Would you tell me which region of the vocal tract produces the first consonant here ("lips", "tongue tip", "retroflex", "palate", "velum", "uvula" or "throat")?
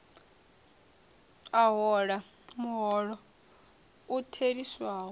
throat